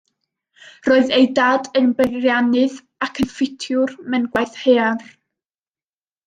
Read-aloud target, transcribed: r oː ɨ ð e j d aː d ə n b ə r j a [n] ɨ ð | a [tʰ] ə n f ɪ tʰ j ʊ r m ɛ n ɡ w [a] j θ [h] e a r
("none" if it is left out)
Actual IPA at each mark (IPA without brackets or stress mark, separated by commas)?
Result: n, kʰ, a, h